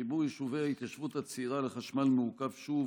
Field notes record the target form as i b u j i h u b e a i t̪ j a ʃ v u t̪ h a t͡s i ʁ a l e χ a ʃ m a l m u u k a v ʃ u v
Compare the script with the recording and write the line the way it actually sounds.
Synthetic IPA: i b u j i ʃ u v e a i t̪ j a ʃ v u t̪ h a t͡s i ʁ a l e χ a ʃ m a l m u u k a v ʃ u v